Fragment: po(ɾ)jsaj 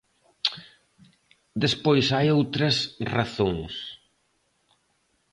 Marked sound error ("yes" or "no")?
yes